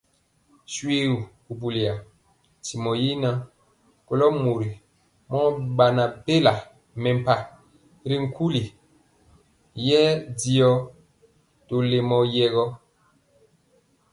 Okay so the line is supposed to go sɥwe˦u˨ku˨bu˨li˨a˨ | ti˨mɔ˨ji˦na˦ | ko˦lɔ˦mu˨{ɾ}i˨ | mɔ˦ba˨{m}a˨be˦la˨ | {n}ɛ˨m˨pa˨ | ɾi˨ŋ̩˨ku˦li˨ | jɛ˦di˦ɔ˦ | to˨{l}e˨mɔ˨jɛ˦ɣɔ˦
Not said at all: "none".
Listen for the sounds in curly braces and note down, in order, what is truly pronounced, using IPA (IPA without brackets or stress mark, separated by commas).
ɾ, n, m, l